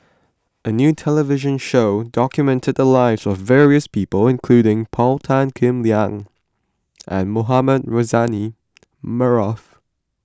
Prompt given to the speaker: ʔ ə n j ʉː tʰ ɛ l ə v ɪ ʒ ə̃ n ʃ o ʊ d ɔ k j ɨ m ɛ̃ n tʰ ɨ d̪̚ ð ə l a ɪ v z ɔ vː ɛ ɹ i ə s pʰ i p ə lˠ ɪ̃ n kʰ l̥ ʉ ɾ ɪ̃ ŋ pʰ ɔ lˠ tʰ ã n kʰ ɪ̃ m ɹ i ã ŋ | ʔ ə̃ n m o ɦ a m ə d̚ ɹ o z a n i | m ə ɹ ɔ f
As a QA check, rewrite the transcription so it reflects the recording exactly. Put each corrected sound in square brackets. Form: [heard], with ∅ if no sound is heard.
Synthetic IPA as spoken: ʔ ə n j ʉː tʰ ɛ l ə v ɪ ʒ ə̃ n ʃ o ʊ d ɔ k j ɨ m ɛ̃ n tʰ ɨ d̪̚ ð ə l a ɪ v z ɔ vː ɛ ɹ i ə s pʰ i p ə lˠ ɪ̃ n kʰ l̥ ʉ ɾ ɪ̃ ŋ pʰ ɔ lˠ tʰ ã n kʰ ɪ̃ m [l] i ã ŋ | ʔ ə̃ n m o ɦ a m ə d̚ ɹ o z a n i | m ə ɹ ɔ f